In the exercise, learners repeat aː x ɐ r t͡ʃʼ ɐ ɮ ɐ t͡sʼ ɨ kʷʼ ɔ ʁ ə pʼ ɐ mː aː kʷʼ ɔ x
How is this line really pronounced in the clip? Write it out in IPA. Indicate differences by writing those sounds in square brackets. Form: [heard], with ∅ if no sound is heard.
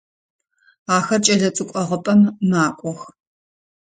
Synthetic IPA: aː x ɐ r t͡ʃʼ ɐ ɮ ɐ t͡sʼ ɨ kʷʼ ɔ ʁ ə pʼ ɐ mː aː kʷʼ ɔ x